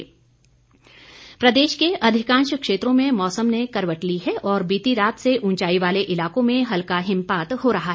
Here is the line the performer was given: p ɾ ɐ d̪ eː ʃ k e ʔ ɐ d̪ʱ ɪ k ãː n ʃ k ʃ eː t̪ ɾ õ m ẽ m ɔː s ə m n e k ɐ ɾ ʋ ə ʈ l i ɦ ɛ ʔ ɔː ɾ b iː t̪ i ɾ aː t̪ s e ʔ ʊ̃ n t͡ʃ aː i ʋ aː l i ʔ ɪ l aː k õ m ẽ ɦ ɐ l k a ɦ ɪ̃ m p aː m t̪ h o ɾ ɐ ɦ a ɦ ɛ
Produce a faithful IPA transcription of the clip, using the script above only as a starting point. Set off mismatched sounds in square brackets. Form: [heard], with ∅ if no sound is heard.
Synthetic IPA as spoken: p ɾ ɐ d̪ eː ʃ k e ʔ ɐ d̪ʱ ɪ k ãː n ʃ k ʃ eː t̪ ɾ õ m ẽ m ɔː s ə m n e k ɐ ɾ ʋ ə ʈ l i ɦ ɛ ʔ ɔː ɾ b iː t̪ i ɾ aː t̪ s e ʔ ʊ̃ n t͡ʃ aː i ʋ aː l [e] ʔ ɪ l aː k õ m ẽ ɦ ɐ l k a ɦ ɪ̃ m p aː [∅] t̪ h o ɾ ɐ ɦ a ɦ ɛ